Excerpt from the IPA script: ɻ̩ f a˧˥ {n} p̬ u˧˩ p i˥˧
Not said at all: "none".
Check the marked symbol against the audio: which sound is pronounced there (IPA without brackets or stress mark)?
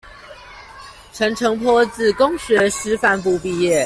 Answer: n